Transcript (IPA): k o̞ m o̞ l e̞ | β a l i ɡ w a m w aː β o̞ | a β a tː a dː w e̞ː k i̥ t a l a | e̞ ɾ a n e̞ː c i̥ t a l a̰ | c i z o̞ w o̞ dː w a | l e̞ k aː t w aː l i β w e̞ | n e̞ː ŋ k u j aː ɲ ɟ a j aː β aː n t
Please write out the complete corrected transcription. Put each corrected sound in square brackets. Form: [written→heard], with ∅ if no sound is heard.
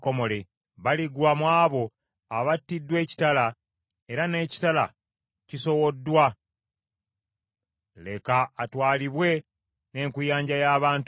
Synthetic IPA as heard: k o̞ m o̞ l e̞ | β a l i ɡ w a m w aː β o̞ | a β a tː [a→i] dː w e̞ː [k→c] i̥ t a l a | e̞ ɾ a n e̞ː c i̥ t a l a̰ | c i [z→s] o̞ w o̞ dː w a | l e̞ k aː t w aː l i β w e̞ | n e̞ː ŋ k u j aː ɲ ɟ a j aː β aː n t